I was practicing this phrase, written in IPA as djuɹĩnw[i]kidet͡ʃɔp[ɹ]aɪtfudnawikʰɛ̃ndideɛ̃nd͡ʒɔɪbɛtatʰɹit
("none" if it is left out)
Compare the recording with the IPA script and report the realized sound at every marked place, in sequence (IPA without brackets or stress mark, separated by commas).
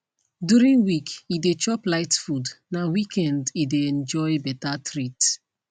i, l